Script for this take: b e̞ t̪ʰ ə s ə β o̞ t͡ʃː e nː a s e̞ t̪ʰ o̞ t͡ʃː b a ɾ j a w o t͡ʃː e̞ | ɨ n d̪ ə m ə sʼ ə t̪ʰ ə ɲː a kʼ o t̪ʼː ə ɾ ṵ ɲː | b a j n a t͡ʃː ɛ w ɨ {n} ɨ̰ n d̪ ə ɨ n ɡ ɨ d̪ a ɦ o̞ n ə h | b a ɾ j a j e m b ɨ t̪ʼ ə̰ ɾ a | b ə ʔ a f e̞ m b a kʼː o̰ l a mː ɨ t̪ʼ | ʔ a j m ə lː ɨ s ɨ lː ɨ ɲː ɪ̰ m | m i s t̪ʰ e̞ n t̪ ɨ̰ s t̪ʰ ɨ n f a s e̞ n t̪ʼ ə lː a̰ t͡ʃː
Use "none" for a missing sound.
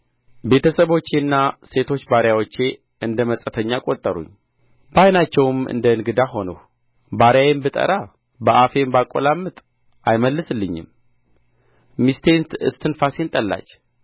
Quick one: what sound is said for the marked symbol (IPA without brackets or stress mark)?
m